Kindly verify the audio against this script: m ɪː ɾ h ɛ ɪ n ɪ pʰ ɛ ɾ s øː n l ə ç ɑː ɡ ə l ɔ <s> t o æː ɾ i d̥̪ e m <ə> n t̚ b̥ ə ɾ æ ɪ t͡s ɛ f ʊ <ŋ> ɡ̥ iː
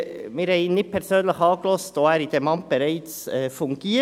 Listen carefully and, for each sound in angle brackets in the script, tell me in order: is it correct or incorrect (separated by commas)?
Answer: correct, incorrect, correct